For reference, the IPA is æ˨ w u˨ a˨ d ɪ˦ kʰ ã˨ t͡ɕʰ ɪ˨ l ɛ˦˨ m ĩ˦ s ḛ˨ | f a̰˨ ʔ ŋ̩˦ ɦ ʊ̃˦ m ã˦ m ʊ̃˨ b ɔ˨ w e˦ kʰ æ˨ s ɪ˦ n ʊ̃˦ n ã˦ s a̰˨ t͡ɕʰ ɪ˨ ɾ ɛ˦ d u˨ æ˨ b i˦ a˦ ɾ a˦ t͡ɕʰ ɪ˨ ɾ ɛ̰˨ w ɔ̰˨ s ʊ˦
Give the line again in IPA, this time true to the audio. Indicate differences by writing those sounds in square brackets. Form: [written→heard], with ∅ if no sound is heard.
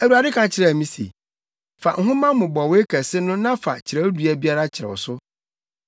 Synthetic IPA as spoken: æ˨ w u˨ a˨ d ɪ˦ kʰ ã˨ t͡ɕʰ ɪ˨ [l→ɾ] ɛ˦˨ m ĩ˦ s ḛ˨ | f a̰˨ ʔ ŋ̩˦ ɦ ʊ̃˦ m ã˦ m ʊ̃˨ b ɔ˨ w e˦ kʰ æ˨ s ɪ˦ n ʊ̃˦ n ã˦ [s→f] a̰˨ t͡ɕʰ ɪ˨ ɾ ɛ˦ d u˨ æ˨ b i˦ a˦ ɾ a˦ t͡ɕʰ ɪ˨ ɾ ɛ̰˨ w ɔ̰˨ s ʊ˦